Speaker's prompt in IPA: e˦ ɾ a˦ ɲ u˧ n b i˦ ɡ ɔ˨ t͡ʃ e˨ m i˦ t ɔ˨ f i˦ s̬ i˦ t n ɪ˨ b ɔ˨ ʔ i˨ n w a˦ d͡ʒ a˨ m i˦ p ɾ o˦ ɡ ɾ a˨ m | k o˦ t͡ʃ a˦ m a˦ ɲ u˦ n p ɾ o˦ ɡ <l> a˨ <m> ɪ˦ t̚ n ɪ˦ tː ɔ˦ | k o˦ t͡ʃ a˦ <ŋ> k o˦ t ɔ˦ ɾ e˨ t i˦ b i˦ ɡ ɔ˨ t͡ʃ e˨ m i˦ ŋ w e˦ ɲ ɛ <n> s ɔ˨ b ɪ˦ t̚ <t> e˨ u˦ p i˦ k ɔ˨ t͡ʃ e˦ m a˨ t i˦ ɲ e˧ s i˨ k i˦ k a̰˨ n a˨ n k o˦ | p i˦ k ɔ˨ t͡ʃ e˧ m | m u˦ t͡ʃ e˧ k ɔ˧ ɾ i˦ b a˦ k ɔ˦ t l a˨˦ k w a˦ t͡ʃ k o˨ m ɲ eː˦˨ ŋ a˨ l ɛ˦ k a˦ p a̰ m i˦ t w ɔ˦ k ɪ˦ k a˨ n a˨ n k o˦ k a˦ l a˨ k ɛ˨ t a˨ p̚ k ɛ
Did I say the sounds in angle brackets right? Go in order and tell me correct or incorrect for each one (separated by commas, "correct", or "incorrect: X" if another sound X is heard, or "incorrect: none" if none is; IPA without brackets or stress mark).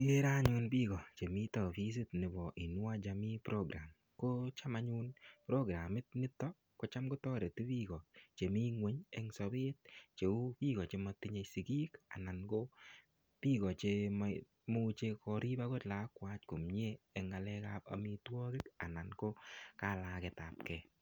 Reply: incorrect: ɾ, correct, incorrect: m, incorrect: ŋ, incorrect: t͡ʃ